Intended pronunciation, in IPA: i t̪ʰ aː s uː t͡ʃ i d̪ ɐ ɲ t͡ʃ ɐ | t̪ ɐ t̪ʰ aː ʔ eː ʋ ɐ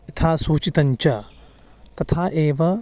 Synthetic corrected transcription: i t̪ʰ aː s uː t͡ʃ i t̪ ɐ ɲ t͡ʃ ɐ | t̪ ɐ t̪ʰ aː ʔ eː ʋ ɐ